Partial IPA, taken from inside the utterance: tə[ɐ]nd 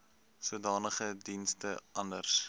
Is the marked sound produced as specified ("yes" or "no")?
yes